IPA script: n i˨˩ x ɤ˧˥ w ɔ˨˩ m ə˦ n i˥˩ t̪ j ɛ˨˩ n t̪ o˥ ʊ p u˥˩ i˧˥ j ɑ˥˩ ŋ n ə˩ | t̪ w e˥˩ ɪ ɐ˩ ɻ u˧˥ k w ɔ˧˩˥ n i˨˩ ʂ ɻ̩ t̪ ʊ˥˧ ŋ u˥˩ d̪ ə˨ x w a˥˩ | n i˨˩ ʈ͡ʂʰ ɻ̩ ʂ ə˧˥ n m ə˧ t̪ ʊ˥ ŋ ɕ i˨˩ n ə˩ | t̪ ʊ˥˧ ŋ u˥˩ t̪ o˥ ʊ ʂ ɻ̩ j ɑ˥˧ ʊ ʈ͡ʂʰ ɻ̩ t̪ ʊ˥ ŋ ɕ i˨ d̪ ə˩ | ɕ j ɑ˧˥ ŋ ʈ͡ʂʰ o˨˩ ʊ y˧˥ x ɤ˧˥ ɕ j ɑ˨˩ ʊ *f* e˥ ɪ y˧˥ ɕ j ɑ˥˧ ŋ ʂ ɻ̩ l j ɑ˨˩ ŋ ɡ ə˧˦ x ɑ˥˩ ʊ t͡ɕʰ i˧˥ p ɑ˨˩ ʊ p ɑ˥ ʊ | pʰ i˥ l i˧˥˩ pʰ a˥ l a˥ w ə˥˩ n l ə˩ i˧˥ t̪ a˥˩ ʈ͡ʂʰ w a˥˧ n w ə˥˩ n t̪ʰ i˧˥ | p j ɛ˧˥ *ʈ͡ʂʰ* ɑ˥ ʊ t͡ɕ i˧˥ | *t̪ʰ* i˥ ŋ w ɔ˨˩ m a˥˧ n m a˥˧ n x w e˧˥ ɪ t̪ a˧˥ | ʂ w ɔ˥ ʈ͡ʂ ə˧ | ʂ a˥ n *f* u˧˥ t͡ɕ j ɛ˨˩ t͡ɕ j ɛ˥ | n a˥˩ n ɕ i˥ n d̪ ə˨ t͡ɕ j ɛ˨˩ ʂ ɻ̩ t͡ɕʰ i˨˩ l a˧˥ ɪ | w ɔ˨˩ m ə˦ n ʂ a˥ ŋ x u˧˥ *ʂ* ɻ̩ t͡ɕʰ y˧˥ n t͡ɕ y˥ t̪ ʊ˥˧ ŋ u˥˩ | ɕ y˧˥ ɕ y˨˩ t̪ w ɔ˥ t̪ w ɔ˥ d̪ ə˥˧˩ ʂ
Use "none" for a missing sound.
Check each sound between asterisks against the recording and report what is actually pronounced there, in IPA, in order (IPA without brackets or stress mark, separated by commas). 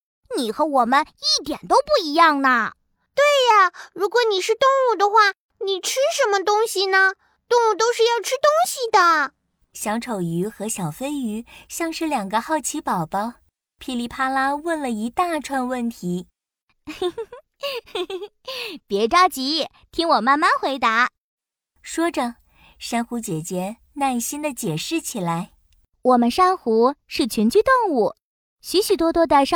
f, ʈ͡ʂ, t̪ʰ, x, ʂ